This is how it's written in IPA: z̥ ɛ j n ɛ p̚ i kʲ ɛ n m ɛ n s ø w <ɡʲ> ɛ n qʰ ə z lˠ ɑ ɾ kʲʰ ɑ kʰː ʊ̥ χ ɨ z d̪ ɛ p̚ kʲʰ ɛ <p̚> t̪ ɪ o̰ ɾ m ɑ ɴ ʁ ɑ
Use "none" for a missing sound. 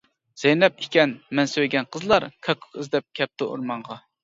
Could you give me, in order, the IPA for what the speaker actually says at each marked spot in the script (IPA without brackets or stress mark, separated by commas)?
ɡʲ, p̚